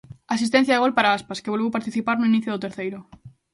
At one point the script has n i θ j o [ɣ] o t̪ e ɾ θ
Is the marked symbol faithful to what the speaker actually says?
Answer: no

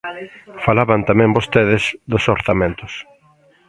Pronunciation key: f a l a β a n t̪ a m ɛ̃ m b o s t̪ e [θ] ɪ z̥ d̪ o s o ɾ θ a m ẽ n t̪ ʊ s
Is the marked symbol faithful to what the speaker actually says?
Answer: no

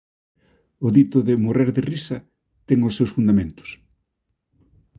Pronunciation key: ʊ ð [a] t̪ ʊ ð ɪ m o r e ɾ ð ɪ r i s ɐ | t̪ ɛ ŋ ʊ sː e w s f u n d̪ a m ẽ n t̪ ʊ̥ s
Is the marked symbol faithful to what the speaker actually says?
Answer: no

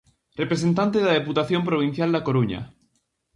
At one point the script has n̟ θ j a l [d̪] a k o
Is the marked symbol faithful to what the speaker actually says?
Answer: yes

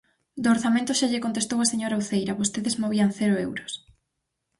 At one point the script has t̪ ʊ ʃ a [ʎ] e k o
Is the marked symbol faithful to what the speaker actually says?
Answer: yes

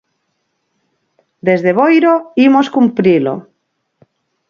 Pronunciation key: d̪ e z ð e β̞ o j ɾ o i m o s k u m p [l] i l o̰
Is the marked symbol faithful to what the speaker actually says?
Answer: no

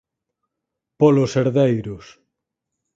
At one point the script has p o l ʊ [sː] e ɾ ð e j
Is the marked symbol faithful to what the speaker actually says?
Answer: no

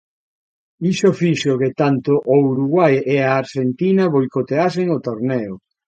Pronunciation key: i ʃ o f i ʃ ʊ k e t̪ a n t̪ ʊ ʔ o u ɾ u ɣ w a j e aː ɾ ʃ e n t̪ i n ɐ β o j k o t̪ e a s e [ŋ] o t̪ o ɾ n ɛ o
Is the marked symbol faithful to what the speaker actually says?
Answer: yes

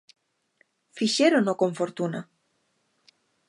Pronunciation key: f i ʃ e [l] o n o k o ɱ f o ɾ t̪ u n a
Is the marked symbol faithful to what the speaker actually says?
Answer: no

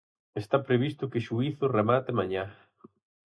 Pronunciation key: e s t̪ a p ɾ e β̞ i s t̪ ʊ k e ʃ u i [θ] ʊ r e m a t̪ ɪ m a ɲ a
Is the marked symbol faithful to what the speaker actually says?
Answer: yes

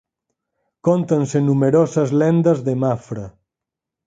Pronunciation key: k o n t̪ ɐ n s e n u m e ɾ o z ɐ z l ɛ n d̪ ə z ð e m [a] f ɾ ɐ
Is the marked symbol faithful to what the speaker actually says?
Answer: yes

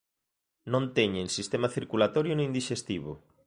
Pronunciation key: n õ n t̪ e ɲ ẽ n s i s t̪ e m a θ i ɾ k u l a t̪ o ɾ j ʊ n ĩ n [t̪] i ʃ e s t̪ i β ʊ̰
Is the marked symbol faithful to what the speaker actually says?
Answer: no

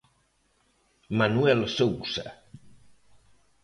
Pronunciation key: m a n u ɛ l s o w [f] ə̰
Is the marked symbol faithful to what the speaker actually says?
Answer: no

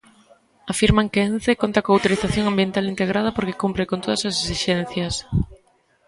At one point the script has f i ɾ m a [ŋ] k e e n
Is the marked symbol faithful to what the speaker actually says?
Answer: yes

